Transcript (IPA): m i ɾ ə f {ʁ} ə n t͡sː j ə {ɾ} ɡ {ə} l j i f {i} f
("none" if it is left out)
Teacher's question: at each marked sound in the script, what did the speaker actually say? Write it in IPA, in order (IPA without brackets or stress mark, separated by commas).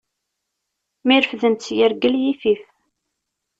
ð, ɾ, ə, i